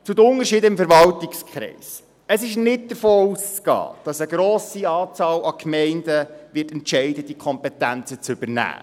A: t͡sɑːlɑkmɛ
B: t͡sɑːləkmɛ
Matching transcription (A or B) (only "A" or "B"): A